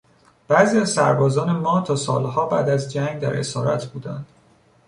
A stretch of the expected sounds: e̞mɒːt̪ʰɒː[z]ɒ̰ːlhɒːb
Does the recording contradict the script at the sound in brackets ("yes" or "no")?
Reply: yes